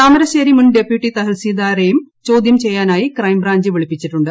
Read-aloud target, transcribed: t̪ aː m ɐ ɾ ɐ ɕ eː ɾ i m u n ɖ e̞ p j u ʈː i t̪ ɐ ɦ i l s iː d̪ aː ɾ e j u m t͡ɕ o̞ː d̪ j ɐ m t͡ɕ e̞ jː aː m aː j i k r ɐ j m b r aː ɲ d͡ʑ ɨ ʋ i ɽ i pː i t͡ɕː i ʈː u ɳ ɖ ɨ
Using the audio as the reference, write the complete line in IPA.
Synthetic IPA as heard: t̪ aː m ɐ ɾ ɐ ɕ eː ɾ i m u n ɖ e̞ p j u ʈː i t̪ ɐ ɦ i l s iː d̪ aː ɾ e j u m t͡ɕ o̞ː d̪ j ɐ m t͡ɕ e̞ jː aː n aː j i k r ɐ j m b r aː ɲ d͡ʑ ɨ ʋ i ɭ i pː i t͡ɕː i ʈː u ɳ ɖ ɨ